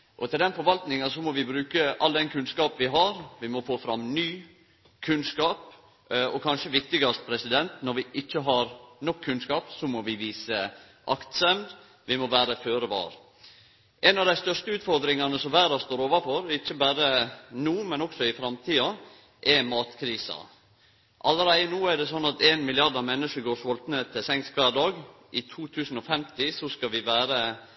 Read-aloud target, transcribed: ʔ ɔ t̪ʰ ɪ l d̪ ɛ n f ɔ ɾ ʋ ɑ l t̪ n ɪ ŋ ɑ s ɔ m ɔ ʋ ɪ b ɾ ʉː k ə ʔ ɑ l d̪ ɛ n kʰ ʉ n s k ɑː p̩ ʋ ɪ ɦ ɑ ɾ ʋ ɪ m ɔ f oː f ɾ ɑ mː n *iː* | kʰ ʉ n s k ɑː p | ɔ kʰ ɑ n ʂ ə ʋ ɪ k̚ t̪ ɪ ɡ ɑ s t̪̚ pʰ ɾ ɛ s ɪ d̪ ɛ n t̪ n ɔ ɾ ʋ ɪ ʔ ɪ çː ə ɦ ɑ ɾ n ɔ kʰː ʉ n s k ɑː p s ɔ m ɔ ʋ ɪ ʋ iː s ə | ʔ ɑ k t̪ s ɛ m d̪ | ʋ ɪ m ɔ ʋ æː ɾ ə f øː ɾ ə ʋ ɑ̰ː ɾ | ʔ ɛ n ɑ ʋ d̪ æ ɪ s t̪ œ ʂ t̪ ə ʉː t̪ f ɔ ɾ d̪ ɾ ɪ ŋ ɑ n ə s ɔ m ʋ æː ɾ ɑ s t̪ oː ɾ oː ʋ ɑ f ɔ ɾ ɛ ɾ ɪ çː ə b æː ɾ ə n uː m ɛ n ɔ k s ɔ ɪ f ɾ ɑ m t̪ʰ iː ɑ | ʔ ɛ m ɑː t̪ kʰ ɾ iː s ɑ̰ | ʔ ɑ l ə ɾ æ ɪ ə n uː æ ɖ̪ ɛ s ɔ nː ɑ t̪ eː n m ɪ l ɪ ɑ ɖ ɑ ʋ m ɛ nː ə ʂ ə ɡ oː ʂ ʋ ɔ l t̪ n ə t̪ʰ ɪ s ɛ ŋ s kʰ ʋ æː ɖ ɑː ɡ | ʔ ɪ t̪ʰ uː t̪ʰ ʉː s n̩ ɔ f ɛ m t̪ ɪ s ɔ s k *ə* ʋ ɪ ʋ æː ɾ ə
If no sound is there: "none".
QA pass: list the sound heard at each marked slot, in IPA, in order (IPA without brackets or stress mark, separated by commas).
yː, ɑ